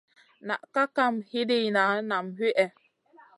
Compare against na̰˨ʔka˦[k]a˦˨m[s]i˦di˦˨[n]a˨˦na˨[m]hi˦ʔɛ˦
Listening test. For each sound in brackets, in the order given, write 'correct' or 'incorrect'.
correct, incorrect: h, correct, correct

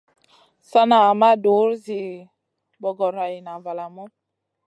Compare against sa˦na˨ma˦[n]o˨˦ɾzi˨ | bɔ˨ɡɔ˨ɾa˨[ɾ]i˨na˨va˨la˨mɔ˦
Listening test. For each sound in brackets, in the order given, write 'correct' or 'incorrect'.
incorrect: d, incorrect: none

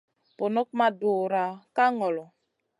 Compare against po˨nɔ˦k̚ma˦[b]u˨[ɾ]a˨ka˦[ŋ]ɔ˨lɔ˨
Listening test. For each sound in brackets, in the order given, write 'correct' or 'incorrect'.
incorrect: d, correct, correct

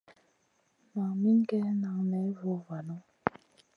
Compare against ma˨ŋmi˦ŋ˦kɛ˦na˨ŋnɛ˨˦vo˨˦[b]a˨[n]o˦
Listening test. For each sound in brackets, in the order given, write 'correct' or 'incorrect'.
incorrect: v, correct

